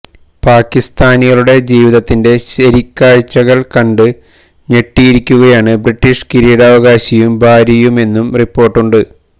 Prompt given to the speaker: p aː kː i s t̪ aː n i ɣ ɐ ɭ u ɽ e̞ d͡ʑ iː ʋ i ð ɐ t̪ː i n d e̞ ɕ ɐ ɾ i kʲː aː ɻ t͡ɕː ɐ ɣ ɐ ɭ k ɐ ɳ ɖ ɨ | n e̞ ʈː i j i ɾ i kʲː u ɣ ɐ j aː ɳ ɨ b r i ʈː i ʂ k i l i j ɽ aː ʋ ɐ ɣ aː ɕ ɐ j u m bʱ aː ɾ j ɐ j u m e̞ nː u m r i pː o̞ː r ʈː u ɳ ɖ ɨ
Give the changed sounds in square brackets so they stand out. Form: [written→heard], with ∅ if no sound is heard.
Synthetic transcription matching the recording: p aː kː i s t̪ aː n i ɣ ɐ ɭ u ɽ e̞ d͡ʑ iː ʋ i ð ɐ t̪ː i n d e̞ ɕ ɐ ɾ i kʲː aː ɻ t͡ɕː ɐ ɣ ɐ ɭ k ɐ ɳ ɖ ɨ | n e̞ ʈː i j i ɾ i kʲː u ɣ ɐ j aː ɳ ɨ b r i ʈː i ʂ k i [l→ɾ] i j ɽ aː ʋ ɐ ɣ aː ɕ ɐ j u m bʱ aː ɾ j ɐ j u m e̞ nː u m r i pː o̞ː r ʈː u ɳ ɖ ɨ